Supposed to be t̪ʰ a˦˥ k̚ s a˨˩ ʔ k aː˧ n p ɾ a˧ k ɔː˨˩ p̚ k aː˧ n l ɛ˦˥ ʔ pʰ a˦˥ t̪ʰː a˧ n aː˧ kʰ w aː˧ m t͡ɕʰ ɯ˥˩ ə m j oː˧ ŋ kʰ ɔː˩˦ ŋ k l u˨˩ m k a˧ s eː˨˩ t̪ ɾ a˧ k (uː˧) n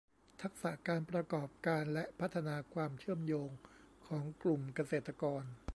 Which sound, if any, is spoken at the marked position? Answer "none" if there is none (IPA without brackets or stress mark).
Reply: ɔː˧